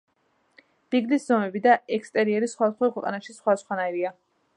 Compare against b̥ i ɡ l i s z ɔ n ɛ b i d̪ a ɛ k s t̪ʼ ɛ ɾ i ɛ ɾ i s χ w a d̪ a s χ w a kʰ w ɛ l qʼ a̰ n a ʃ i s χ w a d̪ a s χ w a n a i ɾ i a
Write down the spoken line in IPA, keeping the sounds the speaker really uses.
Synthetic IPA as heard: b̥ i ɡ l i s z ɔ m ɛ b i d̪ a ɛ k s t̪ʼ ɛ ɾ i ɛ ɾ i s χ w a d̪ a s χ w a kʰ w ɛ qʼ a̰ n a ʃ i s χ w a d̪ a s χ w a n a i ɾ i a